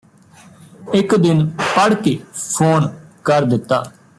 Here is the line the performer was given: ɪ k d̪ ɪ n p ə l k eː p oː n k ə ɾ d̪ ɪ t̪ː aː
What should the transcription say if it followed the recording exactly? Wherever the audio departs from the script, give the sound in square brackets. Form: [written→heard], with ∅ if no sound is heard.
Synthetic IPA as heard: ɪ k d̪ ɪ n p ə [l→ɽ] k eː [p→pʰ] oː n k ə ɾ d̪ ɪ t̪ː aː

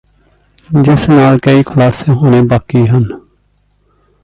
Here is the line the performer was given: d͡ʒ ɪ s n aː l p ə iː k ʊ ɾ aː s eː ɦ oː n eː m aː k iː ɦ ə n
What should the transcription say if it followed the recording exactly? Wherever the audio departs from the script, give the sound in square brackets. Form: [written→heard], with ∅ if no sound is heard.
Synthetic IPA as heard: d͡ʒ ɪ s n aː l [p→k] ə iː [k→kʰ] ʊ [ɾ→l] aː s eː ɦ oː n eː [m→b] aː k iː ɦ ə n

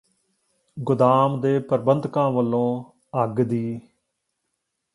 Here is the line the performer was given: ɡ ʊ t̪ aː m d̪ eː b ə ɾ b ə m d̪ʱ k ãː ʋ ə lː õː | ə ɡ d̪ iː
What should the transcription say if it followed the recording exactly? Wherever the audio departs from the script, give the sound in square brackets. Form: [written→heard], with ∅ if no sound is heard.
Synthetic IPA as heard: ɡ ʊ [t̪→d̪] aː m d̪ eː [b→p] ə ɾ b ə [m→n] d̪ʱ k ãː ʋ ə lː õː | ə ɡ d̪ iː

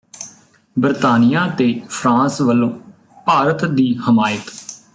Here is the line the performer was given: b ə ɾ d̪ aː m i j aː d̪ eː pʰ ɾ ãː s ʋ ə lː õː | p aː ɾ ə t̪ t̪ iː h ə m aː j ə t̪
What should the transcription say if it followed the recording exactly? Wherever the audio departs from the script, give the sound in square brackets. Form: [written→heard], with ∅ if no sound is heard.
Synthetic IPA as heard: b ə ɾ [d̪→t̪] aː [m→n] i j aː [d̪→t̪] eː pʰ ɾ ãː s ʋ ə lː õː | p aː ɾ ə t̪ [t̪→d̪] iː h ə m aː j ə t̪

